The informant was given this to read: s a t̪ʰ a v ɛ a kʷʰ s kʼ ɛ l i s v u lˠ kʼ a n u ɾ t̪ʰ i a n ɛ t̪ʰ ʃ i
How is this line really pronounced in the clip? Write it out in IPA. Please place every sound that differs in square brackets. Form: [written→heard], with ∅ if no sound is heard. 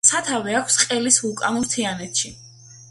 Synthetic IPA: s a t̪ʰ a v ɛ a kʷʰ s [kʼ→qʼ] ɛ l i s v u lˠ kʼ a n u ɾ t̪ʰ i a n ɛ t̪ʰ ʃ i